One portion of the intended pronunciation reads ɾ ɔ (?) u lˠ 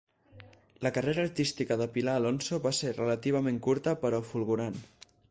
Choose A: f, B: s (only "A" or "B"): A